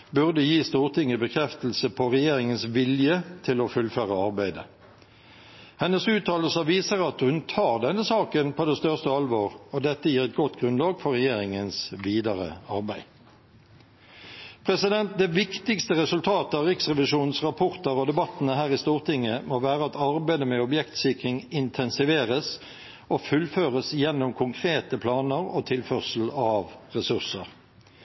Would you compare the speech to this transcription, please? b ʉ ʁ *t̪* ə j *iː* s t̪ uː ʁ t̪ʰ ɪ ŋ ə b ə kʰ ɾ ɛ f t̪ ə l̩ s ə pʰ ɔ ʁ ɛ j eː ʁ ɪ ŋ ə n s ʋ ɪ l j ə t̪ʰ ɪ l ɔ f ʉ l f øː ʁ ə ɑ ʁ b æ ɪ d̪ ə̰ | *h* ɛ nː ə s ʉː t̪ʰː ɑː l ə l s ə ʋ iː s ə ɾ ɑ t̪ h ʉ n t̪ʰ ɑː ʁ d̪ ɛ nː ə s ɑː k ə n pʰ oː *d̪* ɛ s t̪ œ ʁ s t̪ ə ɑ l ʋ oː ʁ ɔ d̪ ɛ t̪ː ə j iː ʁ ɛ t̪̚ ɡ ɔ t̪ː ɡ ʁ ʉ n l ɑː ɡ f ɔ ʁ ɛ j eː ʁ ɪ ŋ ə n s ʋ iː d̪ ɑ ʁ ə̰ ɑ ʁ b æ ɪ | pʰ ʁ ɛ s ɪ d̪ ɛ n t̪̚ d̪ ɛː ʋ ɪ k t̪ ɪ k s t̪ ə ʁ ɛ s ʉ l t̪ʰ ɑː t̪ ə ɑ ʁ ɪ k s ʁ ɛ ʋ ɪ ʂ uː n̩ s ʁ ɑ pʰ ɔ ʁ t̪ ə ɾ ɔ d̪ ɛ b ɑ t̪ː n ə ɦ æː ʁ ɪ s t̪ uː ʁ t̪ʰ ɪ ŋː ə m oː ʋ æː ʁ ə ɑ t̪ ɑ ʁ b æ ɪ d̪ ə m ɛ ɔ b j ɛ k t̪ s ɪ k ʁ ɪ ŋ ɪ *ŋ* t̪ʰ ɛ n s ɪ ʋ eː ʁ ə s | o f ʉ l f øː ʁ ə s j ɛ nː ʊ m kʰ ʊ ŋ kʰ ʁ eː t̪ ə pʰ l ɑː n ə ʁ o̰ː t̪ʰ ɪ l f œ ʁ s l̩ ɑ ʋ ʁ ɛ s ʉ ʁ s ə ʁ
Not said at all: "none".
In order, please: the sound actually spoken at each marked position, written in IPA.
d̪, iː, h, d̪, n

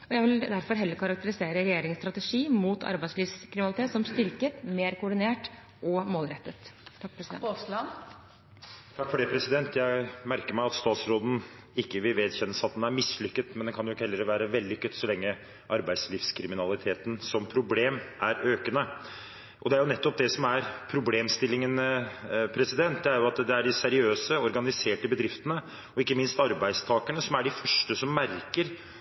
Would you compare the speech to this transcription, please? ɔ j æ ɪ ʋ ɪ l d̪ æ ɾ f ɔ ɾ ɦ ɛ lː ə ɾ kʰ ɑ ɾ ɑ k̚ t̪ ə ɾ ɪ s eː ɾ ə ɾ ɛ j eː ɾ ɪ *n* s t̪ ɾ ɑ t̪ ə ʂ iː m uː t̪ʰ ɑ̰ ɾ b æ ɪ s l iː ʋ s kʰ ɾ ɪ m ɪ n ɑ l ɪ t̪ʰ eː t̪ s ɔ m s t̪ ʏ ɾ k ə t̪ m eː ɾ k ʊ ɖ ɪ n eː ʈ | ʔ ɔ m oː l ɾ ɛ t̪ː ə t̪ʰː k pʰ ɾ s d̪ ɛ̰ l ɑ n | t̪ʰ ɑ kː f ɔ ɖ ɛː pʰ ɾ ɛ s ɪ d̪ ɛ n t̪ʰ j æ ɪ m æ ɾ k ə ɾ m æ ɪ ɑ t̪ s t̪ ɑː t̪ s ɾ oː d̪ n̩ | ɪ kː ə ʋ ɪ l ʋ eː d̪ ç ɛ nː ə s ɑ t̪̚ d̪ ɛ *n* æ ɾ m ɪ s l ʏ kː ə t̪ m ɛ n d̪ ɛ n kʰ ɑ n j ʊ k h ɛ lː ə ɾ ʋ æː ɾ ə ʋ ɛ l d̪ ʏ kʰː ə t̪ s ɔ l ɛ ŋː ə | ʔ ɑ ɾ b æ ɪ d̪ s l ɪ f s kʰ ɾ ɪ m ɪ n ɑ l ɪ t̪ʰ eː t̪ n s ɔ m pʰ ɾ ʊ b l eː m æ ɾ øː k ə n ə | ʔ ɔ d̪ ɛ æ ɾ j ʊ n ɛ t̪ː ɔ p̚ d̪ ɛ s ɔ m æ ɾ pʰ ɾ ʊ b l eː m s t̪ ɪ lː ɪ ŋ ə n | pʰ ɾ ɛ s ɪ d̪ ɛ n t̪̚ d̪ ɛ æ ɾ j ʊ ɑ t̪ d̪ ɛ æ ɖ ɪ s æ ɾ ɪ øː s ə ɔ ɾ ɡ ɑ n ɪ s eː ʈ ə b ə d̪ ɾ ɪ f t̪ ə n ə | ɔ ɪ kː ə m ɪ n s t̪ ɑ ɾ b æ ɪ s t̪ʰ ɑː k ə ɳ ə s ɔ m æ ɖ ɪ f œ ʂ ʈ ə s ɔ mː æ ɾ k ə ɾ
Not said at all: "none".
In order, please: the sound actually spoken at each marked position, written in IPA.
ŋ, n

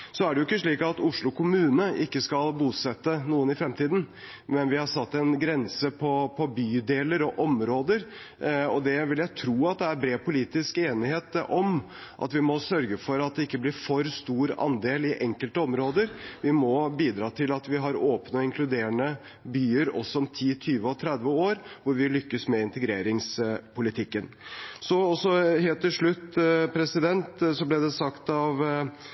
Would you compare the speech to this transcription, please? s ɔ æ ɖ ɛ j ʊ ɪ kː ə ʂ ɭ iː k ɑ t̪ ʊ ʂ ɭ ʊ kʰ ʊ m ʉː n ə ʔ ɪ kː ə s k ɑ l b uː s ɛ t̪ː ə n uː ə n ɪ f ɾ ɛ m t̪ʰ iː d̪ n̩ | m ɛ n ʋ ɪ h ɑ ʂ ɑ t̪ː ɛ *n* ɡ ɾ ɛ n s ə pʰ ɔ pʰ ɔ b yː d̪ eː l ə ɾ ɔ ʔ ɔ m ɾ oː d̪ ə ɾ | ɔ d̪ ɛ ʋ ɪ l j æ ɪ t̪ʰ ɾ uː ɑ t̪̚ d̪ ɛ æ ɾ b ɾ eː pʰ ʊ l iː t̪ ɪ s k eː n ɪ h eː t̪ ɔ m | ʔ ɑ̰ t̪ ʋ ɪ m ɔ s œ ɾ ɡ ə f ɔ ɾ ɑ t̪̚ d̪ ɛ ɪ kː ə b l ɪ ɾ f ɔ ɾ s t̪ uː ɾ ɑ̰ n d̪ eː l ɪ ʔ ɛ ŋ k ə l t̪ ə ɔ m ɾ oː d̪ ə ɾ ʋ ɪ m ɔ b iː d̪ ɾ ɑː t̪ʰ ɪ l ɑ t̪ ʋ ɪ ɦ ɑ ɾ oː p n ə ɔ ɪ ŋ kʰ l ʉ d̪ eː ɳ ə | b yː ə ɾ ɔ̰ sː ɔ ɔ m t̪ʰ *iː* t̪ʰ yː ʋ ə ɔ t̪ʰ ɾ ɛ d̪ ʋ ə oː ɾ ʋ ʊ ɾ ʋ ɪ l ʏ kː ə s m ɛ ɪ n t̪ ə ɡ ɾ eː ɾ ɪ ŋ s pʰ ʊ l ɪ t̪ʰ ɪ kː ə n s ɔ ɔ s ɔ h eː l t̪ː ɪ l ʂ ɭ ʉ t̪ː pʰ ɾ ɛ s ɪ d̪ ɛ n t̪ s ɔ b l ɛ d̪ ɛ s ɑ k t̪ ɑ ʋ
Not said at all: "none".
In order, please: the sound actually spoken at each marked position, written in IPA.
n, iː

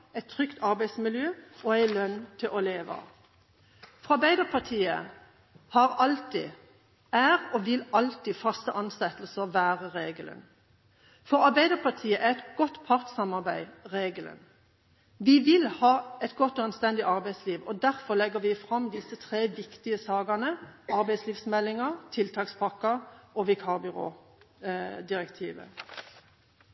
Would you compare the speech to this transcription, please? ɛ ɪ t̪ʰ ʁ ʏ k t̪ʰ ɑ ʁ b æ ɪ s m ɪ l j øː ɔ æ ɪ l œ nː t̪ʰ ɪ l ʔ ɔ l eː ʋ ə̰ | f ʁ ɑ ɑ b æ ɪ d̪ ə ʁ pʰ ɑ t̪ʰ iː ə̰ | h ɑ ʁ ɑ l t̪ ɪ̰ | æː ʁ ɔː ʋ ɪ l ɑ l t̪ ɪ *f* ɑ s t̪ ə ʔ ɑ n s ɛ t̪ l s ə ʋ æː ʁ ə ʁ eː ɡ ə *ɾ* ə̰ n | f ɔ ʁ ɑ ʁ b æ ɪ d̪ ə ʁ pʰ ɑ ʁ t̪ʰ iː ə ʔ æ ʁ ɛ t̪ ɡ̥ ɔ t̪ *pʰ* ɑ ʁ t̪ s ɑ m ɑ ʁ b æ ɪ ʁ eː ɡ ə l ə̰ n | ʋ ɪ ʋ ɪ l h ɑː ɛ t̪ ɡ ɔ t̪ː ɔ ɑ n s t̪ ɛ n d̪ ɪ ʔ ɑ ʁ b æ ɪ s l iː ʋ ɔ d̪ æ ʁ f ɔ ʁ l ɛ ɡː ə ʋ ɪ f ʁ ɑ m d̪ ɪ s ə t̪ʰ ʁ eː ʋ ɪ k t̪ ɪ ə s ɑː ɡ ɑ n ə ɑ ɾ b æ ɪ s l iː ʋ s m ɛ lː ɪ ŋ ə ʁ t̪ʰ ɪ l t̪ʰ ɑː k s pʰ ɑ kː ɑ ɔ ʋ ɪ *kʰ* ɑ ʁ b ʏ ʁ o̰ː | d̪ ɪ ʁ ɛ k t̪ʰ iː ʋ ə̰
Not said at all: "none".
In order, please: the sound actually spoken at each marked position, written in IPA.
f, l, pʰ, kʰ

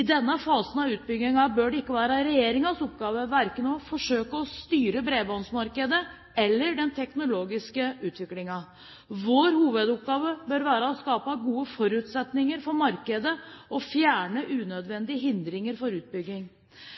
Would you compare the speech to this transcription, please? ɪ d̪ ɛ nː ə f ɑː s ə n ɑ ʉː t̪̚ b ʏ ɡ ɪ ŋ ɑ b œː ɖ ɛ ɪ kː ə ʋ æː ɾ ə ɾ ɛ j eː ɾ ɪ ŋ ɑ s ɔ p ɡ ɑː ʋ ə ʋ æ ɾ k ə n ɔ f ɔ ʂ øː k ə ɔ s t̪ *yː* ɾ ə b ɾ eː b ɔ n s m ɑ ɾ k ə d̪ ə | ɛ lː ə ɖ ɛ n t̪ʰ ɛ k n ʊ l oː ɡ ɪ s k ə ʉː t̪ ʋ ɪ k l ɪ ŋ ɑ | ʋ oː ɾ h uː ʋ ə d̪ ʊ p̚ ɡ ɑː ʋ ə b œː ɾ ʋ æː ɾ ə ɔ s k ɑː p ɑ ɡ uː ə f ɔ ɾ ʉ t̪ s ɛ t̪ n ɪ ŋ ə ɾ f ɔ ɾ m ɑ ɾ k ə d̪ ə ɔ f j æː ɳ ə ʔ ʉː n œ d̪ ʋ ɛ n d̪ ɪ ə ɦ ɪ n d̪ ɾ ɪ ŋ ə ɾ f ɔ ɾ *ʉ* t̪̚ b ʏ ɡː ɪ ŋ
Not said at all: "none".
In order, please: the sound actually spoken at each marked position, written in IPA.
yː, ʉː

